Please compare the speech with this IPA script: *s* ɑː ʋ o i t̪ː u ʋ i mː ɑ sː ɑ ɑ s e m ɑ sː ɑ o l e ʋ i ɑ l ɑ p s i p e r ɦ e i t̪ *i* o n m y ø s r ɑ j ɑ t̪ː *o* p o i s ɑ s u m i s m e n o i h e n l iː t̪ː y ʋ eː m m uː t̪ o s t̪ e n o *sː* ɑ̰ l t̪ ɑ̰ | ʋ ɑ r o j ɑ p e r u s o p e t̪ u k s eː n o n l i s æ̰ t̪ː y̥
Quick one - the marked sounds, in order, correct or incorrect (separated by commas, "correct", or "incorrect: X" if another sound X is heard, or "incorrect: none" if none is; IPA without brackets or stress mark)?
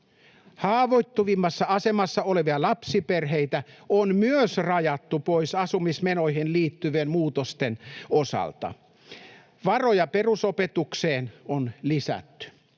incorrect: h, incorrect: æ, incorrect: u, incorrect: s